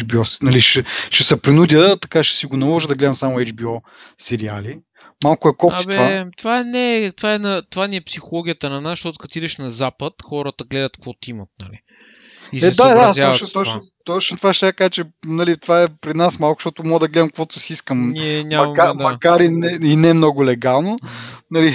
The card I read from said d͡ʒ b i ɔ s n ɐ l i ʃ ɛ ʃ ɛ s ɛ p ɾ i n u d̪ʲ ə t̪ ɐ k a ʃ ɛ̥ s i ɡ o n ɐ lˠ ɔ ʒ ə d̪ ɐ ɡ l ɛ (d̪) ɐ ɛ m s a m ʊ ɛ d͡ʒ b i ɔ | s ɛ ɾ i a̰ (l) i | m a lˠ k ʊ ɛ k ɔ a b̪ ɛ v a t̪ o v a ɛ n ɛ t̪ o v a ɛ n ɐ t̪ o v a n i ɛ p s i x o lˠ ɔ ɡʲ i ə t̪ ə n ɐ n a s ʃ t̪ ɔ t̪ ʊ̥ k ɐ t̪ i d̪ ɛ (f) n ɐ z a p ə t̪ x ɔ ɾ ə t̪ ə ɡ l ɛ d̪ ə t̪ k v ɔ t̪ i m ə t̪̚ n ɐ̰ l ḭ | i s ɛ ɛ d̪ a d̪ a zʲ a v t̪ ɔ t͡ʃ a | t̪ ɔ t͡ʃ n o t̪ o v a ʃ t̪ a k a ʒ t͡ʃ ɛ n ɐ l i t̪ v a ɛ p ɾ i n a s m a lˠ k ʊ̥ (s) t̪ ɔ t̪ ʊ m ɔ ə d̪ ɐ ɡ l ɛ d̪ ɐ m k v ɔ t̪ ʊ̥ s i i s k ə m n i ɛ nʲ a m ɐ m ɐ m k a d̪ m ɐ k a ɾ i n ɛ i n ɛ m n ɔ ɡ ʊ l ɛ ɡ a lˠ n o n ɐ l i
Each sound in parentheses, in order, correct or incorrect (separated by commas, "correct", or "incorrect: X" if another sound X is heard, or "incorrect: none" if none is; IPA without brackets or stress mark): correct, correct, incorrect: ʃ, incorrect: ʃ